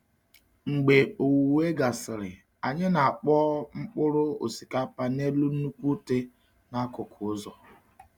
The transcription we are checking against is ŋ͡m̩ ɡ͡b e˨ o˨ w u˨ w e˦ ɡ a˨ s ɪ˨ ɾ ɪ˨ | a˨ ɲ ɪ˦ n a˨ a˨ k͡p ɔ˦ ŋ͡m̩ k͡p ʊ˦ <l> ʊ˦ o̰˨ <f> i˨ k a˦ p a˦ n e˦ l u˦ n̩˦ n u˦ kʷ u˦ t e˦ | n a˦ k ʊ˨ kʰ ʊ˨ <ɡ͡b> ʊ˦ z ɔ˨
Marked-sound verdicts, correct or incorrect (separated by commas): incorrect, incorrect, incorrect